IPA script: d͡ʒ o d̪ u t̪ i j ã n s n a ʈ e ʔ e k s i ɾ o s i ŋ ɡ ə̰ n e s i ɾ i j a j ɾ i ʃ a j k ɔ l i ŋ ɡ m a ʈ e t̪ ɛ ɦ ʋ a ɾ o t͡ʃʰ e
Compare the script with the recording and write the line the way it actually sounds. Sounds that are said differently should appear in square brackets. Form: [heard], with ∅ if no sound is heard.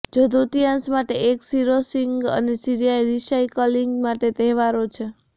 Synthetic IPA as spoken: d͡ʒ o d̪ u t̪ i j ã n s [m] a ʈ e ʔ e k s i ɾ o s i ŋ ɡ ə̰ n e s i ɾ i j a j ɾ i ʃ a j k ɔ l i ŋ ɡ m a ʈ e t̪ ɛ ɦ ʋ a ɾ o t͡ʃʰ e